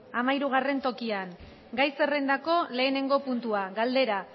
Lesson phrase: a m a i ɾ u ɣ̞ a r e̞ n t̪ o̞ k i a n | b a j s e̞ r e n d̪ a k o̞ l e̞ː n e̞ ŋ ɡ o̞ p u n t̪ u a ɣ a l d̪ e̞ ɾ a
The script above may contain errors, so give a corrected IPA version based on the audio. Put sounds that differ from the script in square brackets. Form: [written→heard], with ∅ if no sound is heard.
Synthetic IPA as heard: a m a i ɾ u ɣ̞ a r e̞ n t̪ o̞ k i a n | [b→ɡ] a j s e̞ r e n d̪ a k o̞ l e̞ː n e̞ ŋ ɡ o̞ p u n t̪ u a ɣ a l d̪ e̞ ɾ a